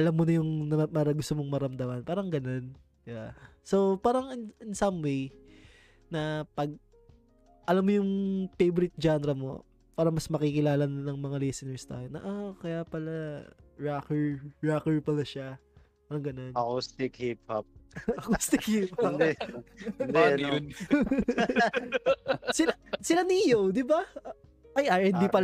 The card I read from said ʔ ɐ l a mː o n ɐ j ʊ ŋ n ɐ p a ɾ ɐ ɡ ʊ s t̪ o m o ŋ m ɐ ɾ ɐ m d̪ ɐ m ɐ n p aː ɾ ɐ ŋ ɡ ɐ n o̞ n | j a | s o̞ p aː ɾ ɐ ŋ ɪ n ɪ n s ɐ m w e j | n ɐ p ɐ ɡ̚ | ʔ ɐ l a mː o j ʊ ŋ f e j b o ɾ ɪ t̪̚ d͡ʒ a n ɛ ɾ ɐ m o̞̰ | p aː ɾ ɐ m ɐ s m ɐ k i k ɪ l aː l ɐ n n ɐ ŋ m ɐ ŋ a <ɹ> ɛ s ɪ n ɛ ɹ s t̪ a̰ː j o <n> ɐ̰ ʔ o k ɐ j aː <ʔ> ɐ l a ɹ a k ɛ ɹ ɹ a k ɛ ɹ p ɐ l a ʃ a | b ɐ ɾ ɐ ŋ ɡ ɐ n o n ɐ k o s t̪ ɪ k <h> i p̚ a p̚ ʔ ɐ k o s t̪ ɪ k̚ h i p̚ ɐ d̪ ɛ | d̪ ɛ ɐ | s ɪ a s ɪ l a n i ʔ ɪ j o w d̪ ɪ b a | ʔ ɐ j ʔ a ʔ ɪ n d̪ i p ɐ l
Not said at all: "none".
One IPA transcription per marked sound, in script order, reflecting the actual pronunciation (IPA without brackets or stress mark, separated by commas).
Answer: l, n, p, h